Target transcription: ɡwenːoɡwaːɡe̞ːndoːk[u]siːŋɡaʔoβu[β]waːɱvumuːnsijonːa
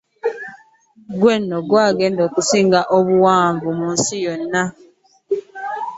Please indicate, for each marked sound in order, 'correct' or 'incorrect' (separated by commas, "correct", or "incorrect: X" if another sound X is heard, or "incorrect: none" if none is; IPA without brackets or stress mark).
correct, incorrect: none